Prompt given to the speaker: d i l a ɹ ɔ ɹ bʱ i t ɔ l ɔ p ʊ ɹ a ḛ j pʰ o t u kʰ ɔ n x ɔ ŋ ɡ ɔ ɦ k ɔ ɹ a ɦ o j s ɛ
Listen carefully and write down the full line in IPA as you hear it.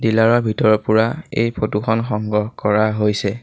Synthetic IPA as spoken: d i l a ɹ ɔ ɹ bʱ i t ɔ ɹ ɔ p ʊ ɹ a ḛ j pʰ o t u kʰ ɔ n x ɔ ŋ ɡ ɔ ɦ k ɔ ɹ a ɦ o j s ɛ